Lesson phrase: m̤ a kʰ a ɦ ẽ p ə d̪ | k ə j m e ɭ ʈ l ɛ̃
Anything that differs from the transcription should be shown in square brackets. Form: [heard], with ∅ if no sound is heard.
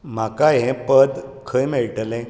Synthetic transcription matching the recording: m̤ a [k] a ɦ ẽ p ə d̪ | [kʰ] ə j m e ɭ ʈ l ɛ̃